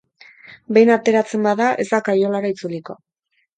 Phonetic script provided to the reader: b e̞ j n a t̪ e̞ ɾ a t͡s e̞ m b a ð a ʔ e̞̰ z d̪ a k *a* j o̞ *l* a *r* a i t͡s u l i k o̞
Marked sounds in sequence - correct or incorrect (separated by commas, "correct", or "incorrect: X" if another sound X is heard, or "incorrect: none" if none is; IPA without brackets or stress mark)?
correct, correct, incorrect: ɾ